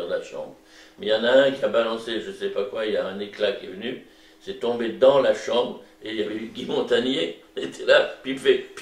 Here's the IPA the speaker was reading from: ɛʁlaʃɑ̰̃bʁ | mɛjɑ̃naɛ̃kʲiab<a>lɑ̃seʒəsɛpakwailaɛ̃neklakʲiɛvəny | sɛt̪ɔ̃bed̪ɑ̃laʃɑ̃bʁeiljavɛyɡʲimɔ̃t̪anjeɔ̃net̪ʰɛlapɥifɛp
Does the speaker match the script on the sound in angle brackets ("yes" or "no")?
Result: yes